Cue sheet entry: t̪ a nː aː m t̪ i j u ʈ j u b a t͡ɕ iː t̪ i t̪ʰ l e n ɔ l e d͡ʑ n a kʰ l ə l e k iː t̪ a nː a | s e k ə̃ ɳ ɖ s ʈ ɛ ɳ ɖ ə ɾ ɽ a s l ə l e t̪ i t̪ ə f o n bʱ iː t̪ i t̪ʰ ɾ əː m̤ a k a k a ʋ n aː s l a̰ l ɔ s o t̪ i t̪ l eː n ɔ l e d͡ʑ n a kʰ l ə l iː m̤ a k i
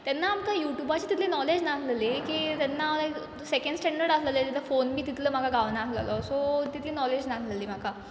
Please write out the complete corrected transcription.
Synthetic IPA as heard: t̪ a nː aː m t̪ a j u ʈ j u b a t͡ɕ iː t̪ i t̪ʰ l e n ɔ l e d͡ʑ n a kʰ l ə l e k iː t̪ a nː a | s e k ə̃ ɳ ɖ s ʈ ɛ ɳ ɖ ə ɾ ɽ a s l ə l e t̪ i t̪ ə f o n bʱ iː t̪ i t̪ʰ l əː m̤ a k a ɡ a ʋ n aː s l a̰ l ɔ s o t̪ i t̪ l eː n ɔ l e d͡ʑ n a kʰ l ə l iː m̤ a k a